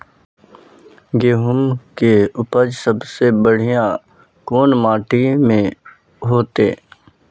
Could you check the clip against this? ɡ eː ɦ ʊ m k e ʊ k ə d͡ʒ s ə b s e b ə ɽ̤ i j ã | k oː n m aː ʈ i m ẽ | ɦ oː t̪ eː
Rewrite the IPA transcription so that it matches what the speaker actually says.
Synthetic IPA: ɡ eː ɦ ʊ m k e ʊ p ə d͡ʒ s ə b s e b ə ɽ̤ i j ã | k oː n m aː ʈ i m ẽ | ɦ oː t̪ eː